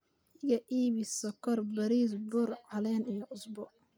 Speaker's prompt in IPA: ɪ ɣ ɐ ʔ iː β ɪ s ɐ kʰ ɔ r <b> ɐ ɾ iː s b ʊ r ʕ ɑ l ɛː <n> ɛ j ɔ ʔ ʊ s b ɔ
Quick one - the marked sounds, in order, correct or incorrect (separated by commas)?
correct, correct